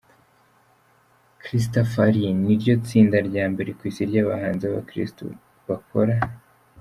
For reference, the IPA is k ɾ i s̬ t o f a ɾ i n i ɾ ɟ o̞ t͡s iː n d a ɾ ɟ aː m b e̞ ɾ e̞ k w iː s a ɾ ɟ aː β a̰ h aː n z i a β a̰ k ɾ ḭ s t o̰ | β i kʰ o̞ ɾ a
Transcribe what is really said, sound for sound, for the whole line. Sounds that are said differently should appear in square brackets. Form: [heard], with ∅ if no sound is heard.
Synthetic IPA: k ɾ i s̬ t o f a ɾ i n i ɾ ɟ o̞ t͡s iː n d a ɾ ɟ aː m b e̞ ɾ e̞ k w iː s [i] ɾ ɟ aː β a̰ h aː n z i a β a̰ k ɾ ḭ s t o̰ | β [a] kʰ o̞ ɾ a